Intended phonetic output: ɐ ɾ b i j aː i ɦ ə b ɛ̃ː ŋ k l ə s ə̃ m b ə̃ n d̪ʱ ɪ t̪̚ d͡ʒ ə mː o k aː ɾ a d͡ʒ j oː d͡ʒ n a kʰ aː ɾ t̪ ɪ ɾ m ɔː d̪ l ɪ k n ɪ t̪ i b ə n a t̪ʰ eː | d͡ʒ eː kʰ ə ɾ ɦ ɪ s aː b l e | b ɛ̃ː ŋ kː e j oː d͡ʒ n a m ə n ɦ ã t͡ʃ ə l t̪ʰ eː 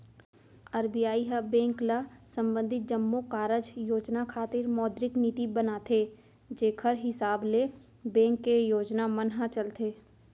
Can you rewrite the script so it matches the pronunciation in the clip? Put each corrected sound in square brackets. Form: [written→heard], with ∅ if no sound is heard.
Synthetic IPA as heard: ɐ ɾ b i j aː i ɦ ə b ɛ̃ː ŋ k l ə s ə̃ m b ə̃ n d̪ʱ ɪ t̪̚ d͡ʒ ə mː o k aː ɾ [a→ə] d͡ʒ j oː d͡ʒ n a kʰ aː [ɾ→∅] t̪ ɪ ɾ m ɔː d̪ [l→ɾ] ɪ k n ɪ t̪ i b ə n a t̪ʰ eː | d͡ʒ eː kʰ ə ɾ ɦ ɪ s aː b l e | b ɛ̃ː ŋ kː e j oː d͡ʒ n a m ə n ɦ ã t͡ʃ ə l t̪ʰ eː